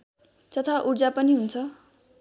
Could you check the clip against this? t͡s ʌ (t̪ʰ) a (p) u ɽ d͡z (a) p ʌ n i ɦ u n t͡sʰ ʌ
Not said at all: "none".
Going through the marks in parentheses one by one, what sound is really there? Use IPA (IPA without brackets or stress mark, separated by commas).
t̪ʰ, ʔ, a